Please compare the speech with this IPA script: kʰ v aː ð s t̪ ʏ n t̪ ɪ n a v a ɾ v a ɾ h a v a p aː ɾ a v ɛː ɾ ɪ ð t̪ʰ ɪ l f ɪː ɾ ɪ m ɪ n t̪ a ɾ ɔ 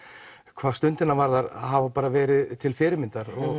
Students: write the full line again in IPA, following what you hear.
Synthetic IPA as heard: kʰ v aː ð s t̪ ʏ n t̪ ɪ n a v a ɾ ð a ɾ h a v a p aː ɾ a v ɛː ɾ ɪ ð t̪ʰ ɪ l f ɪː ɾ ɪ m ɪ n t̪ a ɾ ɔ